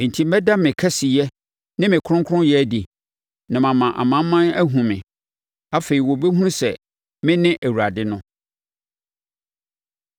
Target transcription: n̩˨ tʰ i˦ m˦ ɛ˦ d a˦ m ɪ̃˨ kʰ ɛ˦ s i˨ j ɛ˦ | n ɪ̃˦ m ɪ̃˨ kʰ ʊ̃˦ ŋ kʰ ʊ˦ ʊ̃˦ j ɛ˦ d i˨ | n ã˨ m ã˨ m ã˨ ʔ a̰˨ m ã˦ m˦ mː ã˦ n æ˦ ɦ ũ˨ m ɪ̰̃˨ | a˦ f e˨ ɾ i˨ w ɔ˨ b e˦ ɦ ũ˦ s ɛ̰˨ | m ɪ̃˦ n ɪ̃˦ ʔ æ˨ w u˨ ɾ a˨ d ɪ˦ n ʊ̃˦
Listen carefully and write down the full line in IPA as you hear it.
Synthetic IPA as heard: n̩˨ tʰ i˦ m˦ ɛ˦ d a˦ m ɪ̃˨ kʰ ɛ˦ s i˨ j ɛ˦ | n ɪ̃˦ m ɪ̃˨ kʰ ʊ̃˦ ŋ kʰ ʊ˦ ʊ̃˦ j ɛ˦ d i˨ | n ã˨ m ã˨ m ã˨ ʔ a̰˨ m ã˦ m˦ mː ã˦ n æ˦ ɦ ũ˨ m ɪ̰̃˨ | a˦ f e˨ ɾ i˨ w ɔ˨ b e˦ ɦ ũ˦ s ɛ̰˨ | m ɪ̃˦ n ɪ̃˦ ʔ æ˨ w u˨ ɾ a˨ d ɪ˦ n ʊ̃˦